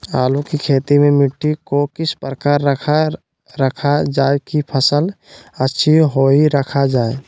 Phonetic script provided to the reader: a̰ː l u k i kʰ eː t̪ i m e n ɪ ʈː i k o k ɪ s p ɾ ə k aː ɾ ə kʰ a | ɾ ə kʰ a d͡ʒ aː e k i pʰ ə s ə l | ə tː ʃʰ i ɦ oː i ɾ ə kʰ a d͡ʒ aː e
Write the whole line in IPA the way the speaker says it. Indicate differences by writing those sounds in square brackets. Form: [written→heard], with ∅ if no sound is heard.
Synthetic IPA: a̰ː l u k i kʰ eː t̪ i m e [n→m] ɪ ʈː i k o k ɪ s p ɾ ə k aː ɾ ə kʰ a | ɾ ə kʰ a d͡ʒ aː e k i pʰ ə s ə l | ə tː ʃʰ i ɦ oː i ɾ ə kʰ a d͡ʒ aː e

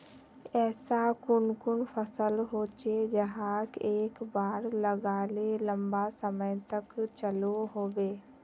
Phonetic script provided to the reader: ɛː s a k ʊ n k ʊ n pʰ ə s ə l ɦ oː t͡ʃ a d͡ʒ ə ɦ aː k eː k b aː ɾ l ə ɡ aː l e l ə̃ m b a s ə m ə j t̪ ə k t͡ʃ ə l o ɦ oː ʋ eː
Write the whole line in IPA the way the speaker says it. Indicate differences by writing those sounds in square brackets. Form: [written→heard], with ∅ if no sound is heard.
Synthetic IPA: ɛː s a k ʊ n k ʊ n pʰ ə s ə l ɦ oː t͡ʃ [a→e] d͡ʒ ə ɦ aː k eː k b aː ɾ l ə ɡ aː l e l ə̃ m b a s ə m ə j t̪ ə k t͡ʃ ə l o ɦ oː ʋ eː

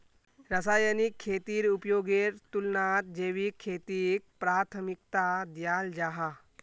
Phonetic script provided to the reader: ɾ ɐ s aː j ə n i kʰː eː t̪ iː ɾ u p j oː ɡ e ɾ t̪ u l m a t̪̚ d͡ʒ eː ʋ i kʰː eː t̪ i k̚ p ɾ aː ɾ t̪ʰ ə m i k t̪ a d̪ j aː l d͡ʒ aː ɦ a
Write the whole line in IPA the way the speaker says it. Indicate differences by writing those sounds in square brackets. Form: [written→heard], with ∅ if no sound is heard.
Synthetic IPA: ɾ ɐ s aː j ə n i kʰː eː t̪ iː ɾ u p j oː ɡ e ɾ t̪ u l [m→n] a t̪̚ d͡ʒ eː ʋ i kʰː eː t̪ i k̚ p ɾ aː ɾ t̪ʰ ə m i k t̪ a d̪ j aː l d͡ʒ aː ɦ a

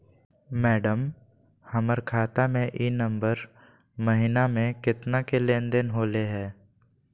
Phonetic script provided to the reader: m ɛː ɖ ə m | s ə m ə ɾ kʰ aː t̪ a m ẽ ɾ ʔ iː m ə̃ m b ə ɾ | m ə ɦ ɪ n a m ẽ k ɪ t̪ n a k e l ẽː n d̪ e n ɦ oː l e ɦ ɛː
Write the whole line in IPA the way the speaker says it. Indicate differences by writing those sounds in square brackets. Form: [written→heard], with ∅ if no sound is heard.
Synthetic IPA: m ɛː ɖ ə m | [s→h] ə m ə ɾ kʰ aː t̪ a m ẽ [ɾ→∅] ʔ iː [m→n] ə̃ m b ə ɾ | m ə ɦ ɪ n a m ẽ k ɪ t̪ n a k e l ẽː n d̪ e n ɦ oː l e ɦ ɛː

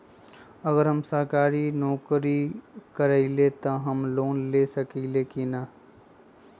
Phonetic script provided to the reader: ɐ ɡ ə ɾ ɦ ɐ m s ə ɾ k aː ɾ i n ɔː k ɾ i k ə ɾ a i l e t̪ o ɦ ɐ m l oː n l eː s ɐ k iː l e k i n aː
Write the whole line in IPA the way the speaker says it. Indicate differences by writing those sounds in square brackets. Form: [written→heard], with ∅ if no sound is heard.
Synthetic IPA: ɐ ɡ ə ɾ ɦ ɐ m s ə ɾ k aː ɾ i n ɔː k ɾ i k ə ɾ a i l e t̪ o ɦ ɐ m l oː n l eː s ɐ k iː l e k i n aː

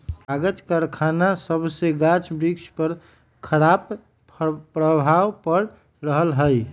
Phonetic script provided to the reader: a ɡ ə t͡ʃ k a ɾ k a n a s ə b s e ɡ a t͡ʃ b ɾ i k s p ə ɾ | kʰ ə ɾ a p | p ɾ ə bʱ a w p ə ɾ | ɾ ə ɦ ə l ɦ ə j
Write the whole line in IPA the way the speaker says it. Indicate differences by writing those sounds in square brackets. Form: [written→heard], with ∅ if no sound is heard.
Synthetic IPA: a ɡ ə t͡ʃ k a ɾ [k→kʰ] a n a s ə b s e ɡ a t͡ʃ b ɾ i k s p ə ɾ | kʰ ə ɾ a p | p ɾ ə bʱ a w p ə ɾ | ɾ ə ɦ ə l ɦ ə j

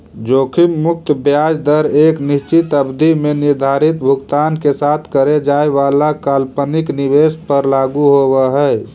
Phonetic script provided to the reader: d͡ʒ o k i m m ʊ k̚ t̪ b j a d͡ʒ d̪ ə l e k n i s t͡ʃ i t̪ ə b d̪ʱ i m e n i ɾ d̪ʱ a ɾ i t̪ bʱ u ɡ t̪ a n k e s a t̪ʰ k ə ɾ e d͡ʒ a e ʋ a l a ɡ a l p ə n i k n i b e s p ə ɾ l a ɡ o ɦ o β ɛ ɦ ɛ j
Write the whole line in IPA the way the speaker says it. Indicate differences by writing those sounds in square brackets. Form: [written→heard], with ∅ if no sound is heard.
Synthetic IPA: d͡ʒ o [k→kʰ] i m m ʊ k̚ t̪ b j a d͡ʒ d̪ ə [l→ɾ] e k n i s t͡ʃ i t̪ ə b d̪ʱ i m e n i ɾ d̪ʱ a ɾ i t̪ bʱ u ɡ t̪ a n k e s a t̪ʰ k ə ɾ e d͡ʒ a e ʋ a l a [ɡ→k] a l p ə n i k n i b e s p ə ɾ l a ɡ [o→u] ɦ o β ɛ ɦ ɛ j

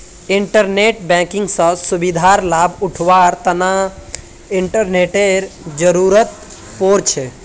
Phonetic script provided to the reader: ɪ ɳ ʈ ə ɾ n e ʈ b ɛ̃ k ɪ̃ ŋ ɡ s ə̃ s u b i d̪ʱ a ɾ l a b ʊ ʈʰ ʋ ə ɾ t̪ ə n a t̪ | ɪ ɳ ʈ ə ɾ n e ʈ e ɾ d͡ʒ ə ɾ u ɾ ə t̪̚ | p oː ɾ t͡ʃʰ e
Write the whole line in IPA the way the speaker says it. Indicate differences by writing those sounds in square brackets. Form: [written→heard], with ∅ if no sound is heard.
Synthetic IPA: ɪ ɳ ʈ ə ɾ n e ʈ b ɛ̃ k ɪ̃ ŋ ɡ s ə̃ s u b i d̪ʱ a ɾ l a b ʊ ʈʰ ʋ [ə→a] ɾ t̪ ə n a [t̪→∅] | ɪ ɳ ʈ ə ɾ n e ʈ e ɾ d͡ʒ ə ɾ u ɾ ə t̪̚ | p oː ɾ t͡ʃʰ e

